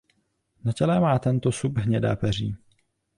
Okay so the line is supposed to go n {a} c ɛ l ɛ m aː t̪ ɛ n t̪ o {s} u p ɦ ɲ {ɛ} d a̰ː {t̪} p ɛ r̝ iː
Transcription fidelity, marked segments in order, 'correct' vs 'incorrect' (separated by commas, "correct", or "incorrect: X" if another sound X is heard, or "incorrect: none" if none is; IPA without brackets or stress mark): correct, correct, correct, incorrect: none